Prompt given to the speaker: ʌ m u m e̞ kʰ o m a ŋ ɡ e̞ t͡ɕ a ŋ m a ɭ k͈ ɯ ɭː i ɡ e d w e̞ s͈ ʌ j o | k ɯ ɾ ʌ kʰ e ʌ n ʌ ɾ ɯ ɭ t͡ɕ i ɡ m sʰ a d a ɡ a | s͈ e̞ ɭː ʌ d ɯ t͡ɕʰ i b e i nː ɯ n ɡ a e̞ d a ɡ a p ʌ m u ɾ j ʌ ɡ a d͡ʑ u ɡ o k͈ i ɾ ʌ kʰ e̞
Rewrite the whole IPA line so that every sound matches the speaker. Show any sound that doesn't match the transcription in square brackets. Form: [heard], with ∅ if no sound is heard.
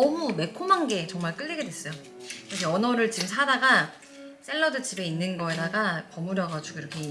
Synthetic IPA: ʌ m u m e̞ kʰ o m a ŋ ɡ e̞ t͡ɕ [ʌ] ŋ m a ɭ k͈ ɯ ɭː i ɡ e d w e̞ s͈ ʌ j o | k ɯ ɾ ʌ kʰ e ʌ n ʌ ɾ ɯ ɭ t͡ɕ i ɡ m sʰ a d a ɡ a | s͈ e̞ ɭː ʌ d ɯ t͡ɕʰ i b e i nː ɯ n ɡ [ʌ] e̞ d a ɡ a p ʌ m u ɾ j ʌ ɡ a d͡ʑ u ɡ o [∅] i ɾ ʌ kʰ e̞